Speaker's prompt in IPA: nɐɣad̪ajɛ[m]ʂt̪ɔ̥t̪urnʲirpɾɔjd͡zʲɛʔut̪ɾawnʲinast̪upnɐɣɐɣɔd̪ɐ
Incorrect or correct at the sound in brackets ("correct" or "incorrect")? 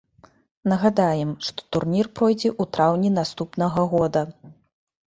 correct